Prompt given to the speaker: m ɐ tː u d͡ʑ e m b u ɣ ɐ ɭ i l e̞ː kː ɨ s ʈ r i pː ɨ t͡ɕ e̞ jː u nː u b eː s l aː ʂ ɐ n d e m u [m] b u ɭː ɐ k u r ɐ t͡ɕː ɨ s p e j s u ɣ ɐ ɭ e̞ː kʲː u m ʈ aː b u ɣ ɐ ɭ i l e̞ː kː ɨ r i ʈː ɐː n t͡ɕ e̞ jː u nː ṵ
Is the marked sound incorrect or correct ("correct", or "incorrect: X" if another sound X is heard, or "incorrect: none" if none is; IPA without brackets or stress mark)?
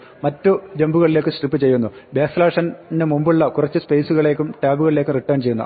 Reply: correct